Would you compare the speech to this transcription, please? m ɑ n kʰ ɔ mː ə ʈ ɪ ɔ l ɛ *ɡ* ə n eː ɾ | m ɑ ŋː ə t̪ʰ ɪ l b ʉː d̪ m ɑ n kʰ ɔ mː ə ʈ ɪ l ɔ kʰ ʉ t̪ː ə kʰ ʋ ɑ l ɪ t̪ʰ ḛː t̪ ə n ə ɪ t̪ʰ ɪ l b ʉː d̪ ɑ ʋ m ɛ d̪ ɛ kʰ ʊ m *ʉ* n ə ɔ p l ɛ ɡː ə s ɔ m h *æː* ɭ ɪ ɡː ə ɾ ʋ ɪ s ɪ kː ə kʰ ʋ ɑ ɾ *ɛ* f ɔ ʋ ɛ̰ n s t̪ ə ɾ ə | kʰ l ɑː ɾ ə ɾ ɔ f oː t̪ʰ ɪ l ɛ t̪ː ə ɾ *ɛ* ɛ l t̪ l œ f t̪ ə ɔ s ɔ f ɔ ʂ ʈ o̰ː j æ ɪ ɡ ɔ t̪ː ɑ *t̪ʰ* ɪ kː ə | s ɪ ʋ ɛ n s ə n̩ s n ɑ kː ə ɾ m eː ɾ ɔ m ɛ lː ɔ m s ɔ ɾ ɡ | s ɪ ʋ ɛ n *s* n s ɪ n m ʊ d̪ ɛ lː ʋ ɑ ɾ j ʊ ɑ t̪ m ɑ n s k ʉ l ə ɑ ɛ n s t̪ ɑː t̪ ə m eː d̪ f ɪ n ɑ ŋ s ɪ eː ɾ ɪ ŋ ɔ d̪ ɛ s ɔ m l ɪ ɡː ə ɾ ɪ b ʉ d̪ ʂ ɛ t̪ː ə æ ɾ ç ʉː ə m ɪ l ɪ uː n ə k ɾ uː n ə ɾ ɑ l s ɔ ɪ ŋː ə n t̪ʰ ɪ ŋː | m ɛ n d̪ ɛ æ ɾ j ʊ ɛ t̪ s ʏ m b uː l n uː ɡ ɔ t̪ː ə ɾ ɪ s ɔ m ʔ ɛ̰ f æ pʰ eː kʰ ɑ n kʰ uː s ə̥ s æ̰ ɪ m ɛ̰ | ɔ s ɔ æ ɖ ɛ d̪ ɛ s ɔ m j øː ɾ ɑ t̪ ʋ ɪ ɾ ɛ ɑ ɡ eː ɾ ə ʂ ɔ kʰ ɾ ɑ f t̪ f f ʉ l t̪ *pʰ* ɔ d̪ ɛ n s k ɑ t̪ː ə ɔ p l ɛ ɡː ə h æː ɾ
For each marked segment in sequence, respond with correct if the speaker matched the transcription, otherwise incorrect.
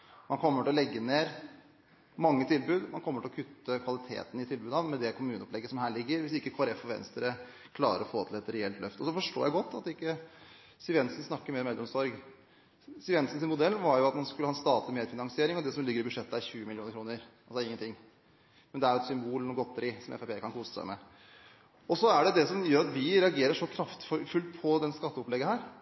incorrect, incorrect, correct, correct, correct, incorrect, correct, correct

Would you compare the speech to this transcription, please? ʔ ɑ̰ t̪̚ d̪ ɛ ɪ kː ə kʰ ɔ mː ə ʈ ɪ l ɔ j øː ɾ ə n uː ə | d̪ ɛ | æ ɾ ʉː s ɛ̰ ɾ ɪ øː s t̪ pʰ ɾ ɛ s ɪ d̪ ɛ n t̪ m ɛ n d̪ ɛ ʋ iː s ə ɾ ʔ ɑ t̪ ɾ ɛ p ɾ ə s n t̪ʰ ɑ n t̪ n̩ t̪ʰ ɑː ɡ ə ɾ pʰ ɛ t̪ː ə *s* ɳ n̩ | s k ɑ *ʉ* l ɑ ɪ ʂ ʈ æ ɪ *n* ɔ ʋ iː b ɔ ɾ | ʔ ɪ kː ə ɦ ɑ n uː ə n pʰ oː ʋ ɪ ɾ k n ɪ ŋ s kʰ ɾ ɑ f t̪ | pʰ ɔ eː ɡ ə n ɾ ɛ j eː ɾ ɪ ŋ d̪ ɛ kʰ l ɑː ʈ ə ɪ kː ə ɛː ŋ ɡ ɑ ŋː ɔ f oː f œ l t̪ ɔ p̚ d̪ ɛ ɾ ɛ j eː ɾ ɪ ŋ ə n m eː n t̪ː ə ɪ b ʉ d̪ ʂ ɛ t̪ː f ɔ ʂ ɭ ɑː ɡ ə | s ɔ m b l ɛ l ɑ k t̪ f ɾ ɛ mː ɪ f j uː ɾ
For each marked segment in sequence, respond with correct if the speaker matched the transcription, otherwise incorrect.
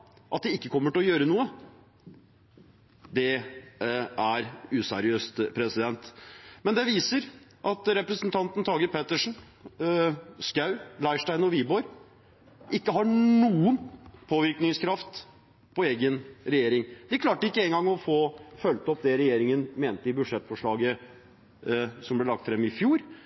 incorrect, correct, correct

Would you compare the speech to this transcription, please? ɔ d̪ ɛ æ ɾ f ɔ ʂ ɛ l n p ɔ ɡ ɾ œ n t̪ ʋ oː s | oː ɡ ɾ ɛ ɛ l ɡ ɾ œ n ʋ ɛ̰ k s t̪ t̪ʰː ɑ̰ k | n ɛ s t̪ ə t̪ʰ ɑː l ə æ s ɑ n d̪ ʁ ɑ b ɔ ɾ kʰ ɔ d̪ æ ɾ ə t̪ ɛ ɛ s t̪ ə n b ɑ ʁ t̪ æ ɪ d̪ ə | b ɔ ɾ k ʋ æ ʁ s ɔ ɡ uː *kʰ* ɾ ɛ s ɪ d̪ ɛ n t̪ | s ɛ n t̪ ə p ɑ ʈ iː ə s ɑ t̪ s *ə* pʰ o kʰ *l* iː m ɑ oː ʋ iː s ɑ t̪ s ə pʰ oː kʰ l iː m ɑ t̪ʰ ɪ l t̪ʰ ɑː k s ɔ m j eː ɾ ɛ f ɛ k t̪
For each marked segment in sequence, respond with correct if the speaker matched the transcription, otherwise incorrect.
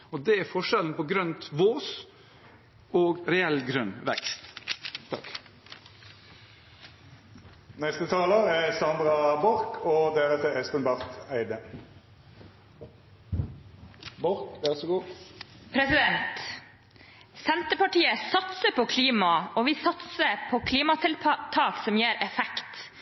incorrect, correct, correct

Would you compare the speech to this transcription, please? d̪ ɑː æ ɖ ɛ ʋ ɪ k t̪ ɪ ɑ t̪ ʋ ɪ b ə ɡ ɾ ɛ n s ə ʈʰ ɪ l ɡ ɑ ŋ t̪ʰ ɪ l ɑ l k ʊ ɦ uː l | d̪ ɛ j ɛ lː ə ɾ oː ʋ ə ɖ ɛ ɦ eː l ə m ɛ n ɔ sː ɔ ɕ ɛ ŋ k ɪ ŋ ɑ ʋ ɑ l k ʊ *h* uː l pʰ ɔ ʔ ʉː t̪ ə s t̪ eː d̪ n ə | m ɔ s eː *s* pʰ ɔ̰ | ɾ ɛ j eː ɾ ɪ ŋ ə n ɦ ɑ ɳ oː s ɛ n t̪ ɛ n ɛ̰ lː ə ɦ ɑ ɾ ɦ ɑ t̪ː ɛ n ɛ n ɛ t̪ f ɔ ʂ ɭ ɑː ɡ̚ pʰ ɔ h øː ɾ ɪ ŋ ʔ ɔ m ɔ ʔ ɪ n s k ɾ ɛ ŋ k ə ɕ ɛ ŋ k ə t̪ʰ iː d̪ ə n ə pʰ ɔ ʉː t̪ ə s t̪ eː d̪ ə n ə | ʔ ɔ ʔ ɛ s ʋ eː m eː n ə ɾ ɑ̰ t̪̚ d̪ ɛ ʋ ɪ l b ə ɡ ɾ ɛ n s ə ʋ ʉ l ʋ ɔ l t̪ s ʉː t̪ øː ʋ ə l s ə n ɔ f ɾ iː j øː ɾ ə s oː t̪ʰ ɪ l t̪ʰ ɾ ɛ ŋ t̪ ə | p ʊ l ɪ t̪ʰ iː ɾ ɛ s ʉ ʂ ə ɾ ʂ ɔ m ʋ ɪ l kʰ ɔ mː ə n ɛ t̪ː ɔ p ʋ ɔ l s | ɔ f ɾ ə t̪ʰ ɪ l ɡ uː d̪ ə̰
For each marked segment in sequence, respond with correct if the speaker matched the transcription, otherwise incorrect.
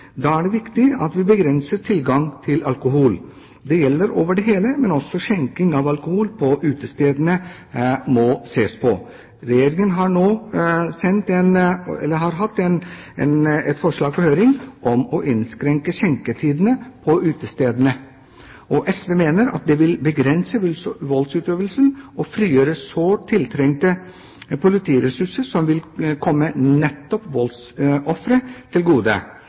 correct, correct

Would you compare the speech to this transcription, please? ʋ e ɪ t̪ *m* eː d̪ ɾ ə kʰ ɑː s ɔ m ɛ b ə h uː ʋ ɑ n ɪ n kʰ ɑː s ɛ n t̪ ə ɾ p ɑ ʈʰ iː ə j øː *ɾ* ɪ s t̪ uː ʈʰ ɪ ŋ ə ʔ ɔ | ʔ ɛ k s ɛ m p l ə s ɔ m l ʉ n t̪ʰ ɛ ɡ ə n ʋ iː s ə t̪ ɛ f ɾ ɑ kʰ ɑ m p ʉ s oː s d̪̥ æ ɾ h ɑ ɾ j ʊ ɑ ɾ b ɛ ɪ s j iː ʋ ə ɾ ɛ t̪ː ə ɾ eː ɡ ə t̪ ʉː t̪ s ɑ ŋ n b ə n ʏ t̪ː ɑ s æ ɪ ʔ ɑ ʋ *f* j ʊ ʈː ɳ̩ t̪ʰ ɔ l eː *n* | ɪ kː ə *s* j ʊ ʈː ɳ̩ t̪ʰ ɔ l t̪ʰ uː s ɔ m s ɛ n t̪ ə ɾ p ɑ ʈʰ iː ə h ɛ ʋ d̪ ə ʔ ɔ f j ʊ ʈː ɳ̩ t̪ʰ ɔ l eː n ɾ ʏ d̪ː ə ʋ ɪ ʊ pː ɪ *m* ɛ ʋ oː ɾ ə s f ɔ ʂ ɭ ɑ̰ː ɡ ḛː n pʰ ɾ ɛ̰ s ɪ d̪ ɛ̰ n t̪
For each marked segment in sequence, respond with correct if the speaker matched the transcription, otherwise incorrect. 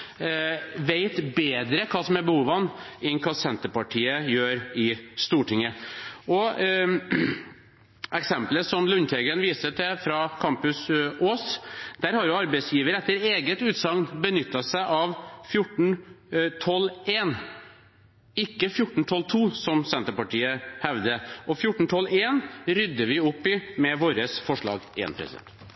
incorrect, correct, correct, correct, incorrect, correct

